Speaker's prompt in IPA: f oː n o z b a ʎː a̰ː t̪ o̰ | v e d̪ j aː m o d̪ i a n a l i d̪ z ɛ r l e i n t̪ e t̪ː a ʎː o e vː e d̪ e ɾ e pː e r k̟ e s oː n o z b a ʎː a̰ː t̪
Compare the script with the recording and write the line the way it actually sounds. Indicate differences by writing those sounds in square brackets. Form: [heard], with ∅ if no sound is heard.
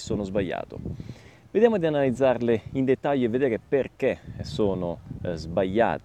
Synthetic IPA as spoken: [s] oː n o z b a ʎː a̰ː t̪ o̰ | v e d̪ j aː m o d̪ i a n a l i d̪ z [a] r l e i n [d̪] e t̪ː a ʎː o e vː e d̪ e ɾ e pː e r k̟ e s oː n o z b a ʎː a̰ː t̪